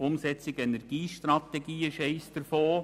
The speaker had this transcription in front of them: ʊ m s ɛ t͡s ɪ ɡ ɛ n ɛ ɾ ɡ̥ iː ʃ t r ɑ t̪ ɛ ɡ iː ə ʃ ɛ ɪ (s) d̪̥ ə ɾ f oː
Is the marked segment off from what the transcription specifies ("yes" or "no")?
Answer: no